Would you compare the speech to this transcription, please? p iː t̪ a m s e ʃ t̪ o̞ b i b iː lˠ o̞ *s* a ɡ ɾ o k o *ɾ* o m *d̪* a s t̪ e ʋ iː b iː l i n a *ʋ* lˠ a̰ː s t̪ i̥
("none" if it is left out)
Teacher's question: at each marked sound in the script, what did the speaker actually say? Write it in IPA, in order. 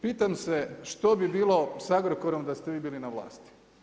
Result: s, ɾ, d̪, ʋ

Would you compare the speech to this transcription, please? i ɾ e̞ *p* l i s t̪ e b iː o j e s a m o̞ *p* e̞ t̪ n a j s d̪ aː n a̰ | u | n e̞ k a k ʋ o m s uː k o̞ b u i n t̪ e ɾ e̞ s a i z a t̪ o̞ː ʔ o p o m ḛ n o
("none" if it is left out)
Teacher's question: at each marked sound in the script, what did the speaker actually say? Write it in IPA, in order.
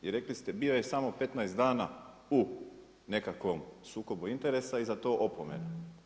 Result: k, p

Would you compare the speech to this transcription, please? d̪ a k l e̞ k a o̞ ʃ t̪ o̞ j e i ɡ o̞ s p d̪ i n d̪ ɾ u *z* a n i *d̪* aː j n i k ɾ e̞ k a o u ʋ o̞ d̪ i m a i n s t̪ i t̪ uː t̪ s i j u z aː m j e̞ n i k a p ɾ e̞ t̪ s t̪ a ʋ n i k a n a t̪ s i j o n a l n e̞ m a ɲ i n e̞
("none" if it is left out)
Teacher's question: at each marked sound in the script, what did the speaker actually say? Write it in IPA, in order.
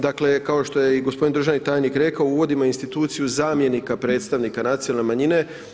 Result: ʒ, t̪

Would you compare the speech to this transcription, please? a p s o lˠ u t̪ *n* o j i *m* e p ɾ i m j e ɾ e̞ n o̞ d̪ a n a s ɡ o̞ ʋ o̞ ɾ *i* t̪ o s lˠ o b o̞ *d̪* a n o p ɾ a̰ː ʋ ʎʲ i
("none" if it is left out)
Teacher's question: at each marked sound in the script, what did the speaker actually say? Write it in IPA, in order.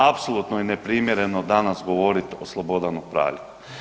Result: n, n, i, d̪

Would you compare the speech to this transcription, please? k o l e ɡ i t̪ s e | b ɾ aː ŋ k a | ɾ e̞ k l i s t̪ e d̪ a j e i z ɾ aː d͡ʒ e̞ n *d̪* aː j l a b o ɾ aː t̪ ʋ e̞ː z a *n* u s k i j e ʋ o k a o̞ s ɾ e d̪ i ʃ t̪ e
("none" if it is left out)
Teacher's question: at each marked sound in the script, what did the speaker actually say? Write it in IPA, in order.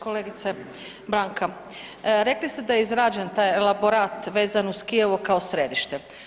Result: t̪, n

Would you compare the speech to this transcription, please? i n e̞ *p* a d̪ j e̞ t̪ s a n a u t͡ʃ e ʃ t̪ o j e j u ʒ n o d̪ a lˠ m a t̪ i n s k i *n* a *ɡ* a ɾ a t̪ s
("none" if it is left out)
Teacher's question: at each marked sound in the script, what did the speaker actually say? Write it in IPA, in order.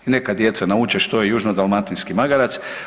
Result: k, m, ɡ

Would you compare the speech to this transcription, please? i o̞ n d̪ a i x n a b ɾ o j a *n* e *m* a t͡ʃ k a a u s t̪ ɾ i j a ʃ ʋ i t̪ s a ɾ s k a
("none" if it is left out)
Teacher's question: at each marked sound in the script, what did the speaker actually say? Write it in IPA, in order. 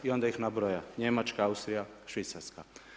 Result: ɲ, m

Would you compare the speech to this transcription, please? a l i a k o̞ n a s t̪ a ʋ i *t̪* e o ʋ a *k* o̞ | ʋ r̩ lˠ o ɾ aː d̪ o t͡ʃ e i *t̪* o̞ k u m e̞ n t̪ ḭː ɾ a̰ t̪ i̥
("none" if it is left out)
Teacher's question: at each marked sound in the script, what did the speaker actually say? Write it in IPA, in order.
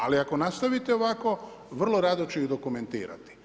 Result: t̪, k, d̪

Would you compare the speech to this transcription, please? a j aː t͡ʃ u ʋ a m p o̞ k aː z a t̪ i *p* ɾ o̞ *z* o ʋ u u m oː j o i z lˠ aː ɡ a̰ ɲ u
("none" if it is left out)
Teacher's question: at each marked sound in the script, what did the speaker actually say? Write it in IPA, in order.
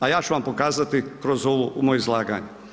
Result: k, z

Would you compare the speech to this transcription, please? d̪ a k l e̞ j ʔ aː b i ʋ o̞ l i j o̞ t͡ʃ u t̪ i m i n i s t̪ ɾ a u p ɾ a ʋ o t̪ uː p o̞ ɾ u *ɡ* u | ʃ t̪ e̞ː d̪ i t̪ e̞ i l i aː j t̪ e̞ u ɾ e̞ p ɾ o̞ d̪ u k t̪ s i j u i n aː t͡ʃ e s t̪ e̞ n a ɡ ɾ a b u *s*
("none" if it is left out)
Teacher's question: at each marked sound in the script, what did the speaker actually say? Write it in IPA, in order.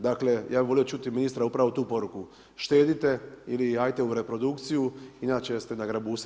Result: k, s

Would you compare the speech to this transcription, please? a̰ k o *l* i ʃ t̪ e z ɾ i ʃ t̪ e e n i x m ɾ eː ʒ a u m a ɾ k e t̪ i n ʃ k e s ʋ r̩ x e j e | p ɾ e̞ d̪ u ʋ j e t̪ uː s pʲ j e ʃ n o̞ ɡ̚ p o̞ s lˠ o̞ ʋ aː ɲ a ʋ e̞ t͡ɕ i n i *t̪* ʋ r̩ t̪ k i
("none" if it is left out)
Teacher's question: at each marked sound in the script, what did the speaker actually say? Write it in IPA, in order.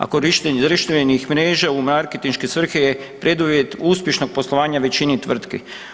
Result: ɾ, t̪

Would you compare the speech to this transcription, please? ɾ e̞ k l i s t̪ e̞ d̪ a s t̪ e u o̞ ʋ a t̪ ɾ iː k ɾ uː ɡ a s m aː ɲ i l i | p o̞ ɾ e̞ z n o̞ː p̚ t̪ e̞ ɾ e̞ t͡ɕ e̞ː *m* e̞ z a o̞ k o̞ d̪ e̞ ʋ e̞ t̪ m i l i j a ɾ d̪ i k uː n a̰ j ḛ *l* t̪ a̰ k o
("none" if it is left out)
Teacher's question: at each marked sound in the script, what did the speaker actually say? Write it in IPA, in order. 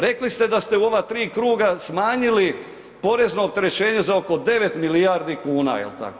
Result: ɲ, l

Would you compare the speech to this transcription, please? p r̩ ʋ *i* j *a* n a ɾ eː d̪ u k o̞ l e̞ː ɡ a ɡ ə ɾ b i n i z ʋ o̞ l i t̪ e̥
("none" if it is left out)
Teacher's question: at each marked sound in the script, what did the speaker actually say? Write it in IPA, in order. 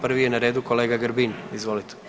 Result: i, e

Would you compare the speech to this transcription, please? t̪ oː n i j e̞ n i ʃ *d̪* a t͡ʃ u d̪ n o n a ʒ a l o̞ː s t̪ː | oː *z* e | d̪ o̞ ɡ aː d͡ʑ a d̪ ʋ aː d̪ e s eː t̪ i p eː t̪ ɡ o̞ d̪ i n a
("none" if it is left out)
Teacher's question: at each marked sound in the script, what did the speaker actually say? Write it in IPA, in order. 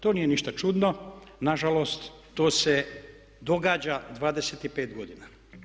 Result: t̪, s

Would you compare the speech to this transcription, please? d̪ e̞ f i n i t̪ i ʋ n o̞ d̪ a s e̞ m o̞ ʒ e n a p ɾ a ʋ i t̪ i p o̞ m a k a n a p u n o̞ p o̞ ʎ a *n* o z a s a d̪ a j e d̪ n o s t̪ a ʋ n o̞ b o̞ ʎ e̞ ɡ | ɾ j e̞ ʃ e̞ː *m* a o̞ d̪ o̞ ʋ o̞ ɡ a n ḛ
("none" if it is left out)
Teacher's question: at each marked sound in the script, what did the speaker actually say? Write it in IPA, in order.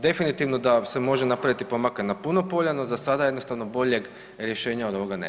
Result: n, ɲ

